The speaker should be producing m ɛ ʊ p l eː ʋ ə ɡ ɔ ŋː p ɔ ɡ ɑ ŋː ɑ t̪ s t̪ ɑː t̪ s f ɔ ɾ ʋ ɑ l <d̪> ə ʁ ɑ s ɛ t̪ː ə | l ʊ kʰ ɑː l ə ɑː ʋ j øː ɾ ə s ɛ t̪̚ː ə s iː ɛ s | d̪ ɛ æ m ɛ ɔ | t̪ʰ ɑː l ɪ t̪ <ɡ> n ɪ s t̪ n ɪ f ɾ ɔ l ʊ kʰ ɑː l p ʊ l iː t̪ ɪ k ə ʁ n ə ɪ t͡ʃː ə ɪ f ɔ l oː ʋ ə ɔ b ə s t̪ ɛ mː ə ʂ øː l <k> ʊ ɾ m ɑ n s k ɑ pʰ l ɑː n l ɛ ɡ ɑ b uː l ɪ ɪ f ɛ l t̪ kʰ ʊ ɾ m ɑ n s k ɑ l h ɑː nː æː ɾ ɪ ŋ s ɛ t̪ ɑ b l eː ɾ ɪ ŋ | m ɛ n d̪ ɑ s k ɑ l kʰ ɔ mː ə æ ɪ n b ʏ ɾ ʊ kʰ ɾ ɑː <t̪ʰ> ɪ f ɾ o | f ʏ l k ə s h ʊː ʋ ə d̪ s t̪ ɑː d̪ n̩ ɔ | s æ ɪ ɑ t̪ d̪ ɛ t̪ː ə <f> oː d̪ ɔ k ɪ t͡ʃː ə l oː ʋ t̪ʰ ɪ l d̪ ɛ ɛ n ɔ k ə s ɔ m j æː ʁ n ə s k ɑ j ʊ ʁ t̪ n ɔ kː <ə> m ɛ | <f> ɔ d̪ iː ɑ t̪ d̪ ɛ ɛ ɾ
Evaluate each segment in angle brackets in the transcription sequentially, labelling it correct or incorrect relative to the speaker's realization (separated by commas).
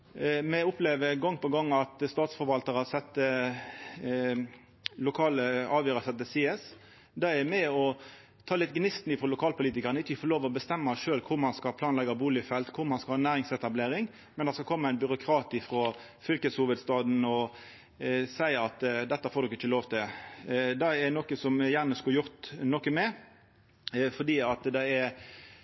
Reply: incorrect, correct, incorrect, incorrect, correct, correct, correct